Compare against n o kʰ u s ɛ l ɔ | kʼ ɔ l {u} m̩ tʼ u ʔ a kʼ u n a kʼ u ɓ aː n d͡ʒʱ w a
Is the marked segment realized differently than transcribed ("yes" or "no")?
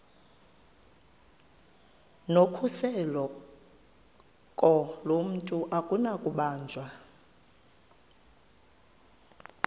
yes